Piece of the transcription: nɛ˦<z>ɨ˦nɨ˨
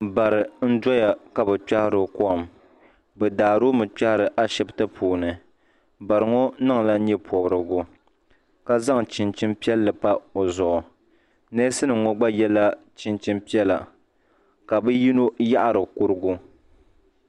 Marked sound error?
yes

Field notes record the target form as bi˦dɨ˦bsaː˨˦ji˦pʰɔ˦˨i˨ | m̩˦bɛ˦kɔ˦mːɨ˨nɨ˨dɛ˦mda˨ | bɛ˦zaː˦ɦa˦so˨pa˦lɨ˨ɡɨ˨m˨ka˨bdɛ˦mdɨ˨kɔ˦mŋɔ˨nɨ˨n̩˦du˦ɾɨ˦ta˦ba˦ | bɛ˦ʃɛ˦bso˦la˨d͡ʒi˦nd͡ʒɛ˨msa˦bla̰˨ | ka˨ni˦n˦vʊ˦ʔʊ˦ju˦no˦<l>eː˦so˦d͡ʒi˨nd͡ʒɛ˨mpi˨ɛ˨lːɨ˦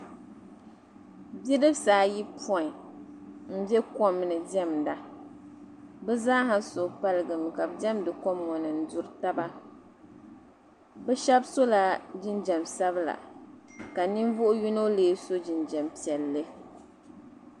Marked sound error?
no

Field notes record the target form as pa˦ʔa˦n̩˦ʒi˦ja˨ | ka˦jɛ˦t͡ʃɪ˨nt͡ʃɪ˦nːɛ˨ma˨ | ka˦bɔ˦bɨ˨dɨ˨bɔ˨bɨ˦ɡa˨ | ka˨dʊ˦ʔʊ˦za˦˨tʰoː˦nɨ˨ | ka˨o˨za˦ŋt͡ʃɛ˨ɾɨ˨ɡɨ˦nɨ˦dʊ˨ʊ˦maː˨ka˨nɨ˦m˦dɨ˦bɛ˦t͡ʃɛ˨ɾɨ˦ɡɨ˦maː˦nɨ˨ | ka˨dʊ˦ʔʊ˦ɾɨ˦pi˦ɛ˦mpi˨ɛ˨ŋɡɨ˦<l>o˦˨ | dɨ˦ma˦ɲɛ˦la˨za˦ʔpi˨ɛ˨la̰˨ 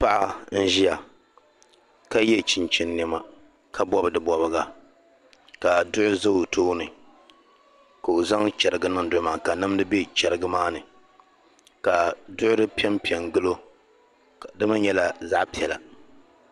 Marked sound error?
no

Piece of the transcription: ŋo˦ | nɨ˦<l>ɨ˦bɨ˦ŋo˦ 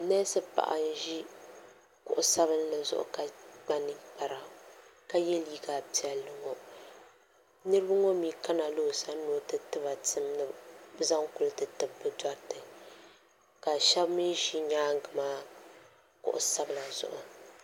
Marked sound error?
yes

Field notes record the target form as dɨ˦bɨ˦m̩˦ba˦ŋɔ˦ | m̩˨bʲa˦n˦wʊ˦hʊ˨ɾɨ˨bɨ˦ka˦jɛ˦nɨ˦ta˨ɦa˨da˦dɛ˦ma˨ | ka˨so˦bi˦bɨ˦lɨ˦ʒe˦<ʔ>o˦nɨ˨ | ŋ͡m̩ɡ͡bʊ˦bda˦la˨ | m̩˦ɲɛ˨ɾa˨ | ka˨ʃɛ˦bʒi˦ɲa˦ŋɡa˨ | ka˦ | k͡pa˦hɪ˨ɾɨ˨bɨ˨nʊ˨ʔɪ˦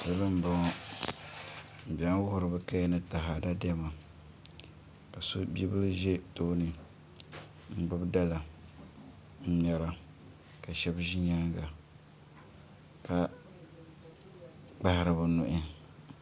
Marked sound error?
yes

